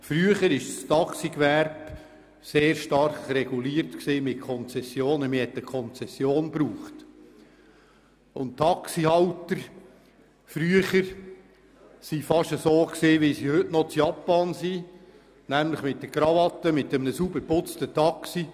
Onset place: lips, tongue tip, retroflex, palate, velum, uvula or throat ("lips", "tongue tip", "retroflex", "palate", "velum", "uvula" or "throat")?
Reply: lips